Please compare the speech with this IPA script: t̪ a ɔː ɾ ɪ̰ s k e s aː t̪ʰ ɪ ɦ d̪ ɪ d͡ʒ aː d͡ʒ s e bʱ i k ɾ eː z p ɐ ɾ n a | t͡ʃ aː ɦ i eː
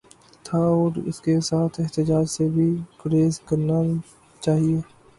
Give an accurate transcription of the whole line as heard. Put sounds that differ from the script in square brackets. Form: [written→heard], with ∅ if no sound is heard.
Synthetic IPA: [t̪→t̪ʰ] a ɔː ɾ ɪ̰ s k e s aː t̪ʰ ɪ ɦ [d̪→t̪] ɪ d͡ʒ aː d͡ʒ s e bʱ i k ɾ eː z [p→k] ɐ ɾ n a | t͡ʃ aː ɦ i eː